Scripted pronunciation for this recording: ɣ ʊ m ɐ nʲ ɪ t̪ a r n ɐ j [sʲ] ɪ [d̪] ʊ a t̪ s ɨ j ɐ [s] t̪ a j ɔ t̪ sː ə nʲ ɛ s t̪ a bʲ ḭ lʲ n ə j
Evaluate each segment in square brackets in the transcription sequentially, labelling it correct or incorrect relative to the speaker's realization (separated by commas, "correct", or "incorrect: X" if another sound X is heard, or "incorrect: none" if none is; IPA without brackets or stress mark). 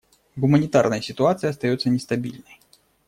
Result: correct, incorrect: t̪, correct